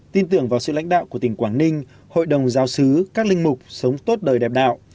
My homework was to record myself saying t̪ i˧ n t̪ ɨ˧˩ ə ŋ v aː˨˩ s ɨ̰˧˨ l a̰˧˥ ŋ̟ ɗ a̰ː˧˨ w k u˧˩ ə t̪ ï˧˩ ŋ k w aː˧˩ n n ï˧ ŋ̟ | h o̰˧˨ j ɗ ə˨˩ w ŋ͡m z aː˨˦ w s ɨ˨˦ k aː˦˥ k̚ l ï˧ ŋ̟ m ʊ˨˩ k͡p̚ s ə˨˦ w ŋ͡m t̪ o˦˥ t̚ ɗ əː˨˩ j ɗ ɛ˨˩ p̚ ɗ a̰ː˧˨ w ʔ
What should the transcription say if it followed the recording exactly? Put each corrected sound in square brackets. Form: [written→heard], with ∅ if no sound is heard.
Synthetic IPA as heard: t̪ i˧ n t̪ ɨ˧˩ ə ŋ v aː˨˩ s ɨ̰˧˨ l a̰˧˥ ŋ̟ ɗ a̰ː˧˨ w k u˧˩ ə t̪ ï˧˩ ŋ k w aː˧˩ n n ï˧ ŋ̟ | h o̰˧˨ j ɗ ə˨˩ w ŋ͡m z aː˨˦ w s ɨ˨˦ k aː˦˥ k̚ l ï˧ ŋ̟ m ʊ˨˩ k͡p̚ s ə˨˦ w ŋ͡m t̪ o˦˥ t̚ ɗ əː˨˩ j ɗ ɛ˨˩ p̚ ɗ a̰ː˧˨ w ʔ